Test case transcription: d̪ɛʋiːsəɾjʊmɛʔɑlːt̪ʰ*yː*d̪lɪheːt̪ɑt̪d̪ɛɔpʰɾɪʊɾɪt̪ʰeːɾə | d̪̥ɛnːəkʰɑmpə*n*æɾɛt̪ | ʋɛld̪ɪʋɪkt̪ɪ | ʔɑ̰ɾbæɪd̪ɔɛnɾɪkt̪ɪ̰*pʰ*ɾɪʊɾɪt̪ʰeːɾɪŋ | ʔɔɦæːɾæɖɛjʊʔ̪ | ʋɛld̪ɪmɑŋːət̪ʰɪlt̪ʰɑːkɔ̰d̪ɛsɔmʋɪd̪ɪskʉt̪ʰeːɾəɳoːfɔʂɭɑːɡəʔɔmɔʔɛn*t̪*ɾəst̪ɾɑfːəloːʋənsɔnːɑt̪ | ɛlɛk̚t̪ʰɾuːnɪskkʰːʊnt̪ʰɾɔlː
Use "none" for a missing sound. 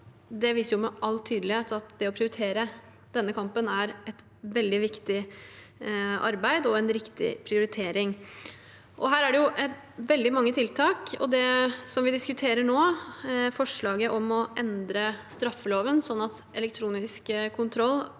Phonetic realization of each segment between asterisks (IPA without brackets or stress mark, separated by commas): yː, n, pʰ, d̪